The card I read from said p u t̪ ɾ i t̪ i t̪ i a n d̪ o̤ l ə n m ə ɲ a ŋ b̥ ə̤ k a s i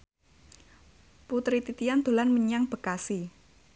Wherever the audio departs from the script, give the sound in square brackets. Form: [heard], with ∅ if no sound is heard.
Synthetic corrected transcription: p u t̪ ɾ i t̪ i t̪ i a n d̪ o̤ l [a] n m ə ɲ a ŋ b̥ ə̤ k a s i

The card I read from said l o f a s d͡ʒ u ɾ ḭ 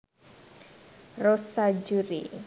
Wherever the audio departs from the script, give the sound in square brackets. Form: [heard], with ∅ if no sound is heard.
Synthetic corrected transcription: [r] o [s] a [∅] d͡ʒ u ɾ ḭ

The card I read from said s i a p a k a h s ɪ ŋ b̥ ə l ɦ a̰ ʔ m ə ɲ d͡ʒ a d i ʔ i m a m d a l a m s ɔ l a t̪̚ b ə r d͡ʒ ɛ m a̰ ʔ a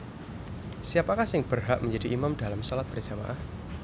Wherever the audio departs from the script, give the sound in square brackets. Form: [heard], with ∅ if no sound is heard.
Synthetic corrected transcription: s i a p a k a h s ɪ ŋ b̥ ə [r] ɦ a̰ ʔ m ə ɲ d͡ʒ a d i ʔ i m a m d a l a m s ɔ l a t̪̚ b ə r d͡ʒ [a] m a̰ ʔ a

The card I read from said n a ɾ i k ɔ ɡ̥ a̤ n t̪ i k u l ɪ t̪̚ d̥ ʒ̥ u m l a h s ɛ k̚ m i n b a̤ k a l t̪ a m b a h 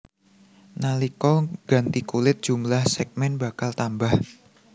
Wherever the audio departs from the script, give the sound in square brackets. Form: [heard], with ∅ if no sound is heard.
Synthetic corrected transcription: n a [l] i k ɔ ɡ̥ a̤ n t̪ i k u l ɪ t̪̚ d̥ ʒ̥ u m l a h s ɛ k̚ m [ɛ] n b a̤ k a l t̪ a m b a h

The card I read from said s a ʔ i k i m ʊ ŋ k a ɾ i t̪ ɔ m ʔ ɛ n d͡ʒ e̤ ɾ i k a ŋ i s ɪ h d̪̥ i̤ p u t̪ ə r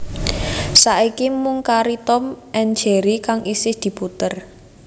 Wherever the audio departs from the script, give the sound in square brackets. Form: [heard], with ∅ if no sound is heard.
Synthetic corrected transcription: s a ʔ i k i m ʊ ŋ k a ɾ i t̪ ɔ m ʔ ɛ n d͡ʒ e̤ ɾ i k a ŋ i s ɪ h d̪̥ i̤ p u t̪ ə r

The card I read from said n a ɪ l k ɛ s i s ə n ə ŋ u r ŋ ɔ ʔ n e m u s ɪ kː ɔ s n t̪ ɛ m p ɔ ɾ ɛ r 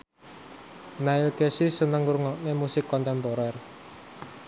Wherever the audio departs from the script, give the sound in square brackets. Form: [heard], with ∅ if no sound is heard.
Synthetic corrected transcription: n a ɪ l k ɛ s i s ə n ə ŋ u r ŋ ɔ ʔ n e m u s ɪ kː ɔ [∅] n t̪ ɛ m p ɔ ɾ ɛ r

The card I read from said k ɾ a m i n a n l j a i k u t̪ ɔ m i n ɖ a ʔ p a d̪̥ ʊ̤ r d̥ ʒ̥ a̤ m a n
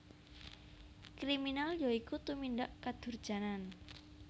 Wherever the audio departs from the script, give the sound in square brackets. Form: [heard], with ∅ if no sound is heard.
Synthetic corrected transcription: k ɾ [i] m i n a [∅] l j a i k u t̪ [u] m i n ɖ a ʔ [k] a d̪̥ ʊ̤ r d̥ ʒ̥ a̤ [n] a n

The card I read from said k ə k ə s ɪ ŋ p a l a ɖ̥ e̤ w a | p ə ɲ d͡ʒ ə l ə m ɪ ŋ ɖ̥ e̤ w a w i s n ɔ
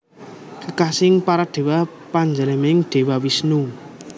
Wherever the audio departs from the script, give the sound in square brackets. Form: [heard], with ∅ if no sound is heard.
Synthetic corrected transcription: k ə k [a] s ɪ ŋ p a [ɾ] a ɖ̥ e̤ w a | p [a] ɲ d͡ʒ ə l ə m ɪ ŋ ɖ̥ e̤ w a w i s n [u]

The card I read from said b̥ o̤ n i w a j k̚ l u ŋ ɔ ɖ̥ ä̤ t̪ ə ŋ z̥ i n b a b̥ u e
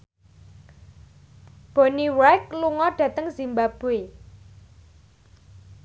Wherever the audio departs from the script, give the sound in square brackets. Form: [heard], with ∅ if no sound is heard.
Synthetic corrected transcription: b̥ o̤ n i w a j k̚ l u ŋ ɔ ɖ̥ ä̤ t̪ ə ŋ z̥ i [m] b a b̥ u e

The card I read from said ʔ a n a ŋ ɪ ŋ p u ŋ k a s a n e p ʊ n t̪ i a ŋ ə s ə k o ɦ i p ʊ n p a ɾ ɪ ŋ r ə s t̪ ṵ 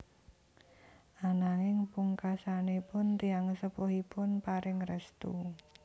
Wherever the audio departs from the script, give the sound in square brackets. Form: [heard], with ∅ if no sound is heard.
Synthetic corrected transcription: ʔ a n a ŋ ɪ ŋ p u ŋ k a s a n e p ʊ n t̪ i a ŋ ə s ə [p] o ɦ i p ʊ n p a ɾ ɪ ŋ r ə s t̪ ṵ

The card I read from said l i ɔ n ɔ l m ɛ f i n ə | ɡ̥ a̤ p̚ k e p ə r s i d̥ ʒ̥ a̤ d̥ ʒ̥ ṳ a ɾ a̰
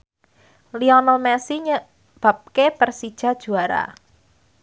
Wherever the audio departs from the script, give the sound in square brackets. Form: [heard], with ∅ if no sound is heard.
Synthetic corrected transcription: l i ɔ n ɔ l m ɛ [s] i [ɲ] ə | [b̥] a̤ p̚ k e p ə r s i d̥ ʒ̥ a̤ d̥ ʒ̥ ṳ a ɾ a̰

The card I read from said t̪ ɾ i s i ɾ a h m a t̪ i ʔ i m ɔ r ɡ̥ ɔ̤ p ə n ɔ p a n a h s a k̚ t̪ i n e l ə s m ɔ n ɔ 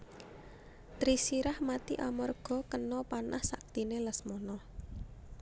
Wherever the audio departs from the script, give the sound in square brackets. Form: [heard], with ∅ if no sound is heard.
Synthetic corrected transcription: t̪ ɾ i s i ɾ a h m a t̪ i ʔ [a] m ɔ r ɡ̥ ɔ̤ [k] ə n ɔ p a n a h s a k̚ t̪ i n e l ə s m ɔ n ɔ

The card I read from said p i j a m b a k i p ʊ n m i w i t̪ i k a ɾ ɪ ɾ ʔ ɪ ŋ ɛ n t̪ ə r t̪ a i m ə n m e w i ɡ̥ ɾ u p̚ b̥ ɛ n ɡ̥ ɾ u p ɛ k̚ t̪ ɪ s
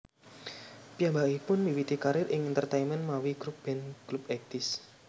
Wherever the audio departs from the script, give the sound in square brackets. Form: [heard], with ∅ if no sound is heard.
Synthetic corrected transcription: p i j a m b a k i p ʊ n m i w i t̪ i k a ɾ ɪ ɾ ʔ ɪ ŋ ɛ n t̪ ə r t̪ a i m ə n m [a] w i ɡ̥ ɾ u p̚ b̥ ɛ n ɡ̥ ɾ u p ɛ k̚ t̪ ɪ s

